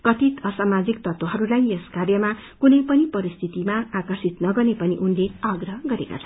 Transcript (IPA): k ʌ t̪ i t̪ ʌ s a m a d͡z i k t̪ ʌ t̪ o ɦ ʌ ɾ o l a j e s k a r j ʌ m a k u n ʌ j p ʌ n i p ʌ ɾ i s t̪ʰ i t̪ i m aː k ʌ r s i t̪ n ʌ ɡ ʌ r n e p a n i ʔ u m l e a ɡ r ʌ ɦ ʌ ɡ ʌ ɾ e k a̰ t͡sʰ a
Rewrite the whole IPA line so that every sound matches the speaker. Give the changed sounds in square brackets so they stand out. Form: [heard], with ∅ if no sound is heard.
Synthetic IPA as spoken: k ʌ t̪ i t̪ ʌ s a m a d͡z i k t̪ ʌ t̪ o ɦ ʌ ɾ [u] l a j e s k a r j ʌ m a k u n ʌ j p ʌ n i p ʌ ɾ i s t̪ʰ i t̪ i m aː k ʌ r s i t̪ n ʌ ɡ ʌ r n e p [ʌ] n i ʔ u [n] l e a ɡ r ʌ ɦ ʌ ɡ ʌ ɾ e k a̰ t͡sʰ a

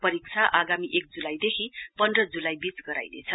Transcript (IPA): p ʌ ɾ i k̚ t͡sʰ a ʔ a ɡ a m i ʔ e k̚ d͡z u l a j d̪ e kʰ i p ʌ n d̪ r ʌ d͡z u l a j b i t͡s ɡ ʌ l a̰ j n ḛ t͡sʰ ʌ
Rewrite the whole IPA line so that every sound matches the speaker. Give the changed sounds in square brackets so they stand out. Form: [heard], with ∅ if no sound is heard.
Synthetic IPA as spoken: p ʌ ɾ i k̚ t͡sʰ a ʔ a ɡ a m i ʔ e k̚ d͡z u l a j d̪ e kʰ i p ʌ n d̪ r ʌ d͡z u l a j b i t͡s ɡ ʌ [ɾ] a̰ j n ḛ t͡sʰ ʌ

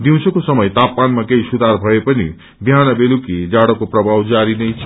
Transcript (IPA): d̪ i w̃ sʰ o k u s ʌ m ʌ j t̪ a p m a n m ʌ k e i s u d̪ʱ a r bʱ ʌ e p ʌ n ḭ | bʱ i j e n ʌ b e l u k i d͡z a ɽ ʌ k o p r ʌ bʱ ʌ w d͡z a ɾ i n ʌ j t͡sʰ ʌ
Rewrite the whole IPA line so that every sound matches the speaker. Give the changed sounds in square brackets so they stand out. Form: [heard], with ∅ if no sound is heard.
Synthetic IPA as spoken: d̪ i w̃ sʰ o k [o] s ʌ m ʌ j t̪ a p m a n m [a] k e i s u d̪ʱ a r bʱ ʌ e p ʌ n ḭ | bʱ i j [a] n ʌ b e l u k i d͡z a ɽ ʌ k o p r ʌ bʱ [a] w d͡z a ɾ i n ʌ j t͡sʰ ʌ

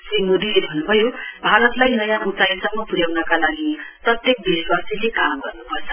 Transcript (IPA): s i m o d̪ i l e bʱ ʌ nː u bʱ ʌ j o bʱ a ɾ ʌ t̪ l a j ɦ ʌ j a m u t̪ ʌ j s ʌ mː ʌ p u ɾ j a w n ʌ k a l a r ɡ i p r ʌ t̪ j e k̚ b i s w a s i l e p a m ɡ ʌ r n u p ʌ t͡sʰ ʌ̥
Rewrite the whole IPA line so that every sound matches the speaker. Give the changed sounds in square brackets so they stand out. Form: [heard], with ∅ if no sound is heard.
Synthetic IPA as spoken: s i m o d̪ i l e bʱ ʌ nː u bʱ ʌ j o bʱ a ɾ ʌ t̪ l a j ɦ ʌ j a m u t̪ [a] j s ʌ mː ʌ p u ɾ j a w n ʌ k a l a [∅] ɡ i p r ʌ t̪ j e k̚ b i s w a s i l e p a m ɡ ʌ r n u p ʌ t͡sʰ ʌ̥

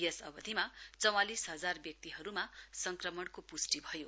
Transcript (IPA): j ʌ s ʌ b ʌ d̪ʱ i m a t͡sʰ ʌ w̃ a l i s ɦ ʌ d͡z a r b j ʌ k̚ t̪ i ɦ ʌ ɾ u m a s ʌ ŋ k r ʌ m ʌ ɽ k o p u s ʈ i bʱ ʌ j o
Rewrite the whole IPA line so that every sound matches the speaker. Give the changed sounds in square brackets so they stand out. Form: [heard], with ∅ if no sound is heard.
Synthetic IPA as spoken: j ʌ s ʌ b ʌ d̪ʱ i m a [t͡s] ʌ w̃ a l i s ɦ ʌ d͡z a r b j ʌ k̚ t̪ i ɦ ʌ ɾ u m a s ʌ ŋ k r ʌ m ʌ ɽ k o p u s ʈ i bʱ ʌ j o

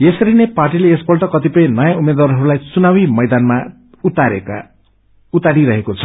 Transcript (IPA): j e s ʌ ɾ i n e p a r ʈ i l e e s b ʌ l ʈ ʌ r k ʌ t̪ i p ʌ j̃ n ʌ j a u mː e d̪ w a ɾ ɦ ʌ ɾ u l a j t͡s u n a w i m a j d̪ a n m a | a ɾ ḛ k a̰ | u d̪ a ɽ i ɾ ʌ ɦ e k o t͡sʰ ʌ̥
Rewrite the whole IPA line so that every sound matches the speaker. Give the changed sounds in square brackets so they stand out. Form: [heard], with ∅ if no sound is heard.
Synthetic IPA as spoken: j e s ʌ ɾ i n e p a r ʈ i l e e s b ʌ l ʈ ʌ [∅] k ʌ t̪ i p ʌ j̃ n ʌ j a u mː e d̪ w a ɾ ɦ ʌ ɾ u l a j t͡s u n a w i m [ʌ] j d̪ a n m a | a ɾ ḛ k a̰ | u [t̪] a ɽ i ɾ ʌ ɦ e k o t͡sʰ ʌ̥

